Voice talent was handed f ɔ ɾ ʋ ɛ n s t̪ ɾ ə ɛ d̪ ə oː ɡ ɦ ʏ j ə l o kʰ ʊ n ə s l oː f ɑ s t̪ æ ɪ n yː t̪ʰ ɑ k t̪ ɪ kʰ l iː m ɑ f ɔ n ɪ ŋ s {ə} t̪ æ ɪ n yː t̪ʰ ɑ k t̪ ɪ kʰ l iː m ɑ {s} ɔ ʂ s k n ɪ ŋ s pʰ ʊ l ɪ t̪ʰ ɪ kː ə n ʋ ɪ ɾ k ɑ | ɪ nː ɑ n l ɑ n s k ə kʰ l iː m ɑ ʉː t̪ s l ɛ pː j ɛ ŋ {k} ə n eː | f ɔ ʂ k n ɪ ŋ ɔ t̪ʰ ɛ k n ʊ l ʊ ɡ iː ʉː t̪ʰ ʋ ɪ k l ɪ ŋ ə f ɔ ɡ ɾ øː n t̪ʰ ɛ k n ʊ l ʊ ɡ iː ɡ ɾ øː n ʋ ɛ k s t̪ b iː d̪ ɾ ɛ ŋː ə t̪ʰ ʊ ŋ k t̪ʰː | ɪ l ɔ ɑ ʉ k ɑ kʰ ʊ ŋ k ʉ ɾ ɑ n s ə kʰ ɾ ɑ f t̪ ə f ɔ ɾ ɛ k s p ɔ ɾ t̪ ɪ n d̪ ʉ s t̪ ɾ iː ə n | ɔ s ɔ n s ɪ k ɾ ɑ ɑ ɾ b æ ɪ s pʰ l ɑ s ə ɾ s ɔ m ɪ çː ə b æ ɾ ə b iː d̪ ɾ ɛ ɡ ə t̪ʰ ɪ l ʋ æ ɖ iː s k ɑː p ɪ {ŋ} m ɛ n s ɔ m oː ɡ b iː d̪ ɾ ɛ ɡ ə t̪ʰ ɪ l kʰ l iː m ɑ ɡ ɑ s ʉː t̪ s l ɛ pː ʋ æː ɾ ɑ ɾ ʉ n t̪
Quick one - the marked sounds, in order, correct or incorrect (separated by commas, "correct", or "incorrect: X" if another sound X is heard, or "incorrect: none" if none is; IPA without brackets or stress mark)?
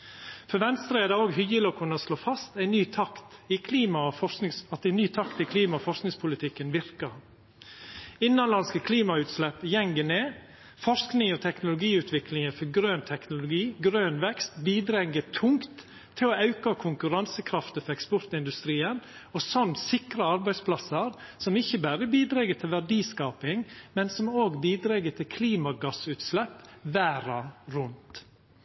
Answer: incorrect: ɑ, incorrect: f, incorrect: ɡ, correct